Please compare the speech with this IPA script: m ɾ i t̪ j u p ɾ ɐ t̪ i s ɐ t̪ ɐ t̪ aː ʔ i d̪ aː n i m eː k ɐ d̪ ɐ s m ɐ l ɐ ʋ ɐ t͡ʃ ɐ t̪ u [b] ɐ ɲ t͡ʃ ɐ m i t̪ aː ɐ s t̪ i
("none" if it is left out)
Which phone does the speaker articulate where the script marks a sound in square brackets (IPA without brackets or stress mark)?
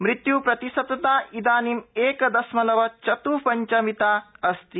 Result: p